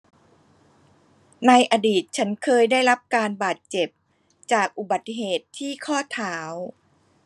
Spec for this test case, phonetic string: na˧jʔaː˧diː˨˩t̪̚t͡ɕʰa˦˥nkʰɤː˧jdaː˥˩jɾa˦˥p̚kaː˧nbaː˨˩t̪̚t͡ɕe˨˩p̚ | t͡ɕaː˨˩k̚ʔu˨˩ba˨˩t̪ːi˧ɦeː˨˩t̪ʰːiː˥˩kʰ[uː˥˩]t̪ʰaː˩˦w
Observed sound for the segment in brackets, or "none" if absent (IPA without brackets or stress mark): ɔː˥˩